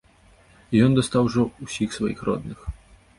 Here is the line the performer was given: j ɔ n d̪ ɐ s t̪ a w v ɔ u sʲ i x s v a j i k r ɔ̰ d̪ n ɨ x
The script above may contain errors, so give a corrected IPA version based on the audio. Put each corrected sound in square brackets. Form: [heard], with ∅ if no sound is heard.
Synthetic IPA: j ɔ n d̪ ɐ s t̪ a w [ʐ] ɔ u sʲ i x s v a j i [x] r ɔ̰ d̪ n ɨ x